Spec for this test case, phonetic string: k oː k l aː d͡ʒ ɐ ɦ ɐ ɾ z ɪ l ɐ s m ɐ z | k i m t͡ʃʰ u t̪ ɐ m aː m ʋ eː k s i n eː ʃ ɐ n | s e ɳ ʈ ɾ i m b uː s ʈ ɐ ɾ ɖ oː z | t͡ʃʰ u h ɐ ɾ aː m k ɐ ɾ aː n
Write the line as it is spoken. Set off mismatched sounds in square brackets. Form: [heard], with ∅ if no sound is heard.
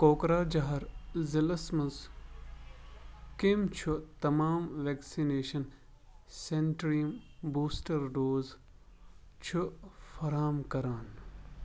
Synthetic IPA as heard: k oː k [ɾ] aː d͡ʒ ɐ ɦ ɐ ɾ z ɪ l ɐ s m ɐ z | k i m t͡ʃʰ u t̪ ɐ m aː m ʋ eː k s i n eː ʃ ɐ n | s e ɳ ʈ ɾ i m b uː s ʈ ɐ ɾ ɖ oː z | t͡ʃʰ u [f] ɐ ɾ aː m k ɐ ɾ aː n